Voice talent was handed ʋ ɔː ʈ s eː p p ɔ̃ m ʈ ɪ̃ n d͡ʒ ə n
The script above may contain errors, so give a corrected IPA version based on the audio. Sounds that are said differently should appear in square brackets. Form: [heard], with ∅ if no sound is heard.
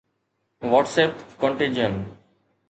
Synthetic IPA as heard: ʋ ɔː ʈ s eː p [k] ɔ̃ [ɳ] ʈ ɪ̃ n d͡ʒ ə n